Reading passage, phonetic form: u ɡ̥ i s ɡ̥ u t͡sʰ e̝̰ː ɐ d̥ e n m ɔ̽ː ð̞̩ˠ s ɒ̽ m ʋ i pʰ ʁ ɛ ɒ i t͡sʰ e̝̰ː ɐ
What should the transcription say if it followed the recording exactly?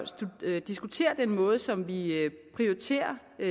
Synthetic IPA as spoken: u d̥ i s ɡ̥ u t͡sʰ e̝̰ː ɐ d̥ e n m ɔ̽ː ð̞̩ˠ s ɒ̽ m ʋ i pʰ ʁ i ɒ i t͡sʰ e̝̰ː ɐ